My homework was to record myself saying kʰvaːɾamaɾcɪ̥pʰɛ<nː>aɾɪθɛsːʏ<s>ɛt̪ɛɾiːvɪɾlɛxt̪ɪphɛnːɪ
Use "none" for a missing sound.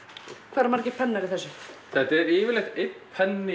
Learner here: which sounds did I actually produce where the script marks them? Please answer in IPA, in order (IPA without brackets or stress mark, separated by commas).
nː, θ